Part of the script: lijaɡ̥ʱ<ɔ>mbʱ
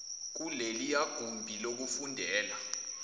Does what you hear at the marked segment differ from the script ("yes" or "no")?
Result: yes